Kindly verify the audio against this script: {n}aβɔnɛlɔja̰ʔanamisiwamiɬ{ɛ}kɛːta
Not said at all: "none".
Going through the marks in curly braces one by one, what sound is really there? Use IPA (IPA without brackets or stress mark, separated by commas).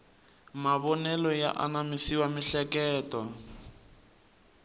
m, ɛ